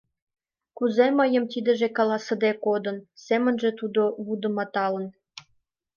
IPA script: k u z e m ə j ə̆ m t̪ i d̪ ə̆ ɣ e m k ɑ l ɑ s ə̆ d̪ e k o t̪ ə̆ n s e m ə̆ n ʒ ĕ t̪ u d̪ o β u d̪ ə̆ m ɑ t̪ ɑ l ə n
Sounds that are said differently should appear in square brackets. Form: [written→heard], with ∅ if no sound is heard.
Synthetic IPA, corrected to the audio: k u z e m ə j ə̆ m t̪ i d̪ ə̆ [ɣ→ʒ] e [m→∅] k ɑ l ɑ s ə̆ d̪ e k o [t̪→d̪] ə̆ n s e m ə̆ n ʒ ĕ t̪ u d̪ o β u d̪ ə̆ m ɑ t̪ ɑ l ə n